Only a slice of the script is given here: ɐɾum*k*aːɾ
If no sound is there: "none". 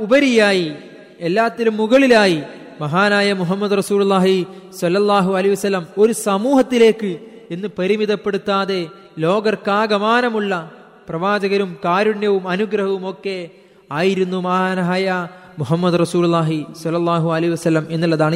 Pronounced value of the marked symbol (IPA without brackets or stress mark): k